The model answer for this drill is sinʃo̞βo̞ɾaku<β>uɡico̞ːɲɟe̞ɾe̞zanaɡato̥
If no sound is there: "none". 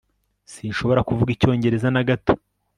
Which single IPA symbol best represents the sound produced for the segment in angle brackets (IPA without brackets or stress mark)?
v